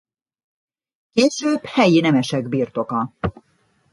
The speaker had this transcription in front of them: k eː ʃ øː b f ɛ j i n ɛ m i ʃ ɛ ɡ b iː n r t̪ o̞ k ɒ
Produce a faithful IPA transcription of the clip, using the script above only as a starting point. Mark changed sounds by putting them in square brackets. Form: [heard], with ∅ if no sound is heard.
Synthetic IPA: k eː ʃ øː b [h] ɛ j i n ɛ m [ɛ] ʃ ɛ ɡ b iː [∅] r t̪ o̞ k ɒ